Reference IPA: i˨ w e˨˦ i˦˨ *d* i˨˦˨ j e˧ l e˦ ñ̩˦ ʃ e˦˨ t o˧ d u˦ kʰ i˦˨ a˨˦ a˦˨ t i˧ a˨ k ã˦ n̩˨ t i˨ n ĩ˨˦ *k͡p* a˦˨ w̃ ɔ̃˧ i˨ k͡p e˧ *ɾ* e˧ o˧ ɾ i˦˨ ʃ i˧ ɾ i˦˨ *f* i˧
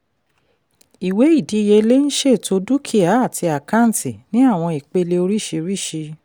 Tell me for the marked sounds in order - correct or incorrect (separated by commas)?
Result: correct, incorrect, incorrect, incorrect